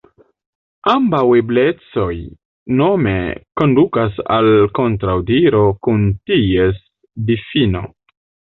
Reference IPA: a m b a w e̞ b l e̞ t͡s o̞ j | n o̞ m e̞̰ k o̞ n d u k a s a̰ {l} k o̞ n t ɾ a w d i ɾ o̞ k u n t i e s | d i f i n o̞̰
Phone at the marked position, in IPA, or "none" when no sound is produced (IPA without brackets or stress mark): l